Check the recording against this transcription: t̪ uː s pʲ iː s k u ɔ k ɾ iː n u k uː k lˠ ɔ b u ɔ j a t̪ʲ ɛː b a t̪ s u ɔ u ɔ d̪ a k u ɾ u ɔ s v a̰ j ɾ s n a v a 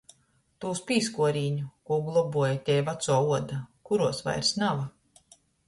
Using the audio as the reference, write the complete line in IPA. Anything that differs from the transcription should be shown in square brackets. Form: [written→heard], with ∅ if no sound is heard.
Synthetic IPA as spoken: t̪ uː s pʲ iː s k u ɔ [k→∅] ɾ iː [n→ɲ] u k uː [k→ɡ] lˠ ɔ b u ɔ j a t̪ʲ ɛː [b→v] a t̪ s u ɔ u ɔ d̪ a k u ɾ u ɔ s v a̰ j ɾ s n a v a

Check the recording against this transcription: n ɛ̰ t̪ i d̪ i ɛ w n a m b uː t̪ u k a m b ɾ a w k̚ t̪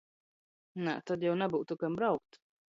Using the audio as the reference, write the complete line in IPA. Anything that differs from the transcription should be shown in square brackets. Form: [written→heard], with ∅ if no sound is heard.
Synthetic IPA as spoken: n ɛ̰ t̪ [i→a] d̪ [i→j] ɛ w n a [m→∅] b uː t̪ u k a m b ɾ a w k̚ t̪

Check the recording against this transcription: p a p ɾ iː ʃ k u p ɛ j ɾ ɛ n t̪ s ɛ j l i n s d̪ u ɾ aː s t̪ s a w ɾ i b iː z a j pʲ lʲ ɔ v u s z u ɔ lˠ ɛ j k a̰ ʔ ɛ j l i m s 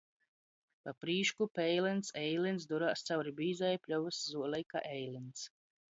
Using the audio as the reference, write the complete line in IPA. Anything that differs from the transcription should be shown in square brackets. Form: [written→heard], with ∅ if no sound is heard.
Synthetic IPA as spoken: p a p ɾ iː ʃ k u p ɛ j [ɾ→l] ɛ n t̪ s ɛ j l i n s d̪ u ɾ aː s t̪ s a w ɾ i b iː z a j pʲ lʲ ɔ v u s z u ɔ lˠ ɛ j k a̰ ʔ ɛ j l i [m→n] s

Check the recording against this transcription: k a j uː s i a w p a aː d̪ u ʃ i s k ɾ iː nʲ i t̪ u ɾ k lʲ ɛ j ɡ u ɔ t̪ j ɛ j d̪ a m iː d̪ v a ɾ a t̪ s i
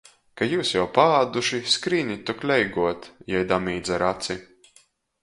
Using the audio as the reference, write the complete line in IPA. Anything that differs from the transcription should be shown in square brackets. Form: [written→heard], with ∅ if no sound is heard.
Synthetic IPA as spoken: k a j uː s [i→j] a w p a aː d̪ u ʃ i s k ɾ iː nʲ i t̪ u [ɾ→∅] k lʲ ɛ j ɡ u ɔ t̪ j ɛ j d̪ a m iː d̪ [v→z] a ɾ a t̪ s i

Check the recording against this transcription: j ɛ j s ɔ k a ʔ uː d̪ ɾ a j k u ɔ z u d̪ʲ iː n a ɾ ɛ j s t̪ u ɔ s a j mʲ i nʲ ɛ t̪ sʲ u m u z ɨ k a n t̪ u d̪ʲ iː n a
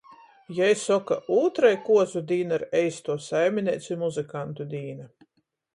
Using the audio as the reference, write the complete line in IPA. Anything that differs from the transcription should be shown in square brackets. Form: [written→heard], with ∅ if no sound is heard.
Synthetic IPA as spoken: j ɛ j s ɔ k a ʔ uː [d̪→t̪] ɾ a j k u ɔ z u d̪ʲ iː n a ɾ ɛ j s t̪ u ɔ s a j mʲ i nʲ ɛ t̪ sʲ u m u z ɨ k a n t̪ u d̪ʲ iː n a

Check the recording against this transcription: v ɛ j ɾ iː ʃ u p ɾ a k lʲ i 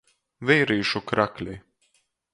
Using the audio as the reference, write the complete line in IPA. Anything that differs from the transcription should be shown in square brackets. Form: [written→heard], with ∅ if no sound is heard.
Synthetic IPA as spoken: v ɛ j ɾ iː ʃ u [p→k] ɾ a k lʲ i

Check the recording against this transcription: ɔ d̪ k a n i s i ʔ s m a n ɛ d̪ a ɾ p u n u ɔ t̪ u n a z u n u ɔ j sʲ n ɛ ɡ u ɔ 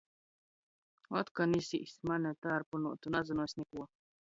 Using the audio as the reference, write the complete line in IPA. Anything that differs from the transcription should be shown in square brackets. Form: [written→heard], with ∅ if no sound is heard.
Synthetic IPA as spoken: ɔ [d̪→t̪] k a n i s i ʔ s m a n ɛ [d̪→t̪] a ɾ p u n u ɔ t̪ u n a z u n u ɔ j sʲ n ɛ [ɡ→k] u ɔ

